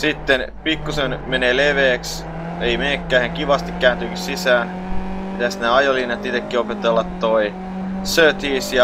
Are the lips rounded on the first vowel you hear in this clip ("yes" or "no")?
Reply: no